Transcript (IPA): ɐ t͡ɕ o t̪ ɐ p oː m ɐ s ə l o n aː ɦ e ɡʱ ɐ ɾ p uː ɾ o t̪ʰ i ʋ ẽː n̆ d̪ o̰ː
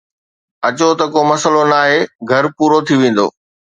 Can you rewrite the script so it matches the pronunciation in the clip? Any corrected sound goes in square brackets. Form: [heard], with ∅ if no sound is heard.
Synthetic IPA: ɐ t͡ɕ o t̪ ɐ [k] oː m ɐ s ə l o n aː ɦ e ɡʱ ɐ ɾ p uː ɾ o t̪ʰ i ʋ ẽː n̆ d̪ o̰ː